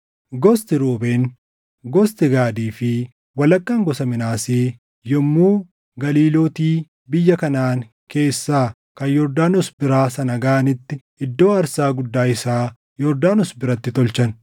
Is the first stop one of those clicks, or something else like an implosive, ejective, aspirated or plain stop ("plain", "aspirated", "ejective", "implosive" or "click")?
plain